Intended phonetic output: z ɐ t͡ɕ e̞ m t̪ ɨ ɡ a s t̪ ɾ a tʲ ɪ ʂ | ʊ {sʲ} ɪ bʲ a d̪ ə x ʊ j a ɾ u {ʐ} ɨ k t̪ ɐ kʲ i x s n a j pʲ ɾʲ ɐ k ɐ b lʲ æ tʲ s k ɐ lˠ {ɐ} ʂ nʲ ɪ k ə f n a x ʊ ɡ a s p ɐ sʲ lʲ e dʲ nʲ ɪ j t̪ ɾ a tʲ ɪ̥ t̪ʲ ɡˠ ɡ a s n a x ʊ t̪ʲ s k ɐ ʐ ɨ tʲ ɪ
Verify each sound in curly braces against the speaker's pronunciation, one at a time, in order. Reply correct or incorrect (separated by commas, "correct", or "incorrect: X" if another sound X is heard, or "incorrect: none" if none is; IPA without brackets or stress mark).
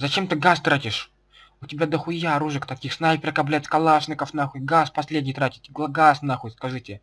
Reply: incorrect: tʲ, correct, incorrect: a